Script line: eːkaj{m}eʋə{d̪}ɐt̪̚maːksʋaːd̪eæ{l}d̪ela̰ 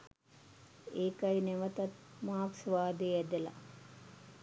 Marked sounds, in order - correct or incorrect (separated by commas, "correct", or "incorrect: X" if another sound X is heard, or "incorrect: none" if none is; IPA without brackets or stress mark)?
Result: incorrect: n, incorrect: t̪, incorrect: none